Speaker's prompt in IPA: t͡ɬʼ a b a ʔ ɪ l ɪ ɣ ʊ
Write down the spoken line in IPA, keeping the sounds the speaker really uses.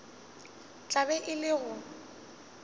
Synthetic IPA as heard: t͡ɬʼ a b ɛ ʔ ɪ l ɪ ɣ ʊ